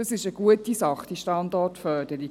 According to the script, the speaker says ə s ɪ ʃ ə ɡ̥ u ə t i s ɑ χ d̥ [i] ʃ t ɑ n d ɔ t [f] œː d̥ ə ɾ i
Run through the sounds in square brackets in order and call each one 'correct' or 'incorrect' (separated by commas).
correct, correct